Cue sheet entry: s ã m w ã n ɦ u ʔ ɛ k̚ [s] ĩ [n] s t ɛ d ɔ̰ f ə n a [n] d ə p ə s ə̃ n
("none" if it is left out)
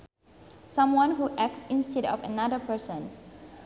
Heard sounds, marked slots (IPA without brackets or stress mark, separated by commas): s, n, none